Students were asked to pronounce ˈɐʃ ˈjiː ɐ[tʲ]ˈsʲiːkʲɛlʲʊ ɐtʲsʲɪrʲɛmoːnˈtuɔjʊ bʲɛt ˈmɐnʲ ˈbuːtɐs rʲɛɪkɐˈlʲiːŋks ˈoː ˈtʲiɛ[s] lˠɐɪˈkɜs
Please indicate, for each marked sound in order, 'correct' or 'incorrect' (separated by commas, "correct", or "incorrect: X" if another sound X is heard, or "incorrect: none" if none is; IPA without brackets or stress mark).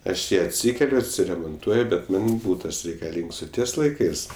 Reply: correct, correct